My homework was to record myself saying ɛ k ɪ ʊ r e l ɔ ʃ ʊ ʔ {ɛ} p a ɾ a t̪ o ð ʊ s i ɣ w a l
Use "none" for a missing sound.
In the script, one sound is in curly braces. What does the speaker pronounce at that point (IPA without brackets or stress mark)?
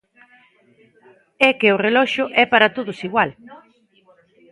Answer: ɛ